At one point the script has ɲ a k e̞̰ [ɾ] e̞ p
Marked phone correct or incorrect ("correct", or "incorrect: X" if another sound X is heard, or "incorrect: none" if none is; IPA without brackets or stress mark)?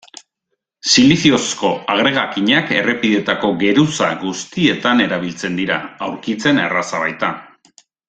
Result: incorrect: r